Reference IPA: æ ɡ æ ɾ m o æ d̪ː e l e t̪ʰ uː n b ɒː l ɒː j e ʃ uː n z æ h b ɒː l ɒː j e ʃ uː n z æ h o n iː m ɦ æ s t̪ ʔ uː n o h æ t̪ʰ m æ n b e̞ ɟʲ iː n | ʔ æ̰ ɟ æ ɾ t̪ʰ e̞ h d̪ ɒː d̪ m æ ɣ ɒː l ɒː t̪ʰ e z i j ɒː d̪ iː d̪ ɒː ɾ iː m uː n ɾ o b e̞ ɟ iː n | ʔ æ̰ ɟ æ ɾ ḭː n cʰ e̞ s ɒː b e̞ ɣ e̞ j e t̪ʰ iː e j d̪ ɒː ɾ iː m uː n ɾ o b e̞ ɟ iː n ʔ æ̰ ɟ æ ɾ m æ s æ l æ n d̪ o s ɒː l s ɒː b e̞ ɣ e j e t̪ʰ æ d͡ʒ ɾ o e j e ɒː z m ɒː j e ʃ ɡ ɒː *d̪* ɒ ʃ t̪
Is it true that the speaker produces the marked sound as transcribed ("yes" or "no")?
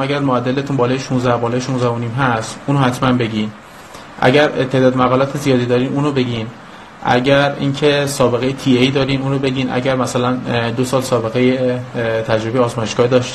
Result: yes